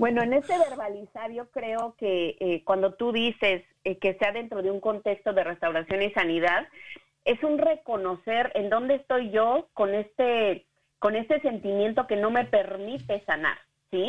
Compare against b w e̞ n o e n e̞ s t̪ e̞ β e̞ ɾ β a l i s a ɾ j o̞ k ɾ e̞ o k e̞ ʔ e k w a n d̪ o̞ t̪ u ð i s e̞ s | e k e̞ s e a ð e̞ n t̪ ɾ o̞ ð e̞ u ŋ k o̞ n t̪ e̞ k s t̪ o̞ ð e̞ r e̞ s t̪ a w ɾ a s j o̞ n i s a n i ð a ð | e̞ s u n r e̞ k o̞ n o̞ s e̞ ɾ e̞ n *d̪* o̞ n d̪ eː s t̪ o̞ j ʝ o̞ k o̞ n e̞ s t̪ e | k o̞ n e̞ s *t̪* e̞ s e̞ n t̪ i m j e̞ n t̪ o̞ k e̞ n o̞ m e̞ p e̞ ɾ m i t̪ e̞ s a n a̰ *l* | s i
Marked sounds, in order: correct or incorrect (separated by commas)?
correct, correct, incorrect